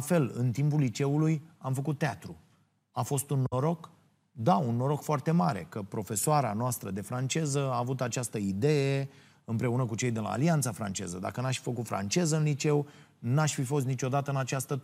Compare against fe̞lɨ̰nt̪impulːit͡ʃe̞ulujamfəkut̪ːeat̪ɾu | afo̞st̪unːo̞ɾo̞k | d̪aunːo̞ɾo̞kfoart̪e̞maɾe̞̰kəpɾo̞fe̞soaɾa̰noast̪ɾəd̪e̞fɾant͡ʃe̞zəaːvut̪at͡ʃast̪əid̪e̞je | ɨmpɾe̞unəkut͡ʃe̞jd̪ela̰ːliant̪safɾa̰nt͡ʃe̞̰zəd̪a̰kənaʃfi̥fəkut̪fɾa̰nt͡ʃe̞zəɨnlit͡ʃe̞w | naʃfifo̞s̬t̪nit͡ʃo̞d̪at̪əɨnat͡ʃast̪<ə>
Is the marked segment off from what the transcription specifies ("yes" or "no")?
no